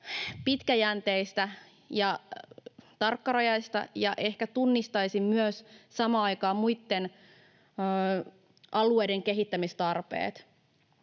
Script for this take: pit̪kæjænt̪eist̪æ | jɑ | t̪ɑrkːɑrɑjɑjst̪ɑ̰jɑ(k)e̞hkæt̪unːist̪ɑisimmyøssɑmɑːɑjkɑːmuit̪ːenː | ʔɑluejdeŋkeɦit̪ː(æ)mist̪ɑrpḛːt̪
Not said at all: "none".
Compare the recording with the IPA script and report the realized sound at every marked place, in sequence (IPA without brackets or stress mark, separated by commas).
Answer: ʔ, æ